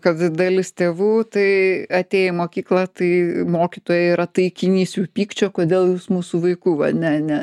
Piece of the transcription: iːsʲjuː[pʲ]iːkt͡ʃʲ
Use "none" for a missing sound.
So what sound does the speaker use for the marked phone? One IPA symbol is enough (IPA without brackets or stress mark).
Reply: pʲ